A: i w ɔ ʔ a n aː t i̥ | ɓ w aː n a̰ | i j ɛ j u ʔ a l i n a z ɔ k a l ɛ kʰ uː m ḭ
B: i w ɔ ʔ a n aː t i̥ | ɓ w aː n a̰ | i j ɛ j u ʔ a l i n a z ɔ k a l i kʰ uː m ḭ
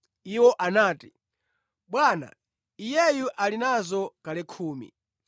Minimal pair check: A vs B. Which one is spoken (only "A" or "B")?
A